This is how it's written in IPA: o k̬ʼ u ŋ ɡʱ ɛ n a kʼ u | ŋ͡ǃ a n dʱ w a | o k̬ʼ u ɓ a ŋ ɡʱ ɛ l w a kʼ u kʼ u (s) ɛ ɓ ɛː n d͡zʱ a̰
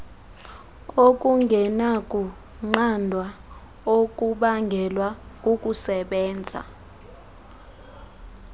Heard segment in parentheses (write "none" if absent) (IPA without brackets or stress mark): s